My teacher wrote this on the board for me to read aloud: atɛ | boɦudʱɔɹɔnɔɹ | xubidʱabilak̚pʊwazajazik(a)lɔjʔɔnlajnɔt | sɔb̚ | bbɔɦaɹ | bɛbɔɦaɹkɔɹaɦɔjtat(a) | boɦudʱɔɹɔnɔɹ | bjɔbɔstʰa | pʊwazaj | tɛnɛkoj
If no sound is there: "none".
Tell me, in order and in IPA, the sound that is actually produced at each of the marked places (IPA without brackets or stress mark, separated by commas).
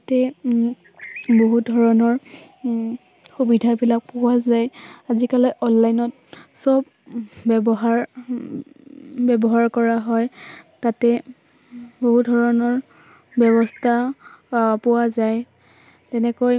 a, ɛ